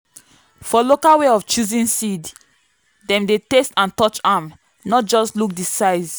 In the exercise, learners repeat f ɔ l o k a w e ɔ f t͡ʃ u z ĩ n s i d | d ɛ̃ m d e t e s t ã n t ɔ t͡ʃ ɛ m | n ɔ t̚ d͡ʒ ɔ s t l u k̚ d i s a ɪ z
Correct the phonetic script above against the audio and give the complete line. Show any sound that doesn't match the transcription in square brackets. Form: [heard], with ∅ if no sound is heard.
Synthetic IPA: f ɔ l o k a w e ɔ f t͡ʃ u z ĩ n s i d | d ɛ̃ m d e t e s t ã n t ɔ t͡ʃ [a] m | n ɔ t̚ d͡ʒ ɔ s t l u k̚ d i s a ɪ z